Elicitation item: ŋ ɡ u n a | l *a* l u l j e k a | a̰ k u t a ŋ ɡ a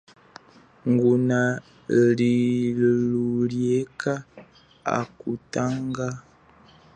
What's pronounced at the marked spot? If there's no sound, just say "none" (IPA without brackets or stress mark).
i